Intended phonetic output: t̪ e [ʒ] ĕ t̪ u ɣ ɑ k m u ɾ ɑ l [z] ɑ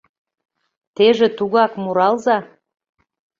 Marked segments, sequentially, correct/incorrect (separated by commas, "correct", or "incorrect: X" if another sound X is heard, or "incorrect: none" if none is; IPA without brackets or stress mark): correct, correct